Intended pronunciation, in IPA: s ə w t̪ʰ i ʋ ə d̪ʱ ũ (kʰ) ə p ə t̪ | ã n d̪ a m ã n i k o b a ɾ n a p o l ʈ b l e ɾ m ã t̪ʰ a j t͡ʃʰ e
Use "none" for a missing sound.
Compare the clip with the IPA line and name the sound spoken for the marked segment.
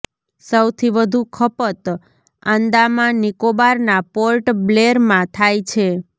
kʰ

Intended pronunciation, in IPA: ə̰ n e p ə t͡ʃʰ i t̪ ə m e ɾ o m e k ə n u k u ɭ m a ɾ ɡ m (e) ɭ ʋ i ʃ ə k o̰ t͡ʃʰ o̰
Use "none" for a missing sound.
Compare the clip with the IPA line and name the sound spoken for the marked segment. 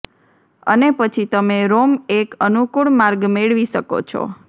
e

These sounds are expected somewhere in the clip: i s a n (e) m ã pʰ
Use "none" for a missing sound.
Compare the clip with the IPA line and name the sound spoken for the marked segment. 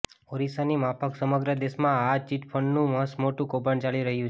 i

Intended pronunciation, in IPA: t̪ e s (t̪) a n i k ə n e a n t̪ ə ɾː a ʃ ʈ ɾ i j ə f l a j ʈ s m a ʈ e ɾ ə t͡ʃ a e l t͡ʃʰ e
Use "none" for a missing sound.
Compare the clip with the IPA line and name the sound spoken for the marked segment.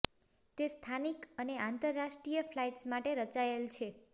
t̪ʰ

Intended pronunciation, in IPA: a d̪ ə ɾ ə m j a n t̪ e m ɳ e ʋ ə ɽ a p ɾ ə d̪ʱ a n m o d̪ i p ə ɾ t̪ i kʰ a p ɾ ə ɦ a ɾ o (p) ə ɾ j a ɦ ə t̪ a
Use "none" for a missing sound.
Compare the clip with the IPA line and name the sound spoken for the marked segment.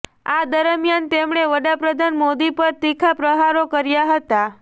k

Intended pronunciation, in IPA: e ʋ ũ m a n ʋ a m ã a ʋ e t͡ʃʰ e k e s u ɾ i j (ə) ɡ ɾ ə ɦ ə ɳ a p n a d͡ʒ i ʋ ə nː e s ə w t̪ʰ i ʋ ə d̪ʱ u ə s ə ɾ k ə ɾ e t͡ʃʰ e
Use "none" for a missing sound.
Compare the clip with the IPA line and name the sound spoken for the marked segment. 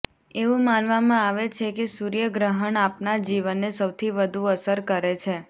ə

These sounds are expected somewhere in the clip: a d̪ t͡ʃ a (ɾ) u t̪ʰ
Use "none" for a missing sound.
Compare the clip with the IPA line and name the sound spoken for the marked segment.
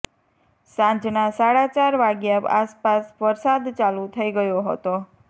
l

